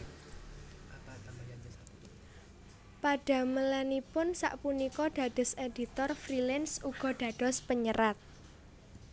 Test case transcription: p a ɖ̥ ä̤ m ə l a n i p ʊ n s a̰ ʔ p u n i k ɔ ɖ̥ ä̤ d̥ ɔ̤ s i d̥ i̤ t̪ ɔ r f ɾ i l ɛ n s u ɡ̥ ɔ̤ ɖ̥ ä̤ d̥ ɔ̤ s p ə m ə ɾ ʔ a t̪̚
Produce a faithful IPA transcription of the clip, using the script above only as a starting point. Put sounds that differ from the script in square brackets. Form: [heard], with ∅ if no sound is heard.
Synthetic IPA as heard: p a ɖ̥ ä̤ m ə l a n i p ʊ n s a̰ ʔ p u n i k ɔ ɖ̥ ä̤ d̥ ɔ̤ s [e] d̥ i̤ t̪ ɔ r f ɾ i l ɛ n s u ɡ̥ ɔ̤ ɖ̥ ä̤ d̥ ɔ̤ s p ə [ɲ] ə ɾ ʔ a t̪̚